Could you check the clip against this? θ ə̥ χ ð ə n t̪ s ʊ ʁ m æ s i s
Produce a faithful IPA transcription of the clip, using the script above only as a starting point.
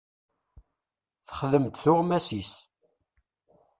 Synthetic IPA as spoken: θ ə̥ χ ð ə m t̪ θ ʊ ʁ m æ s i s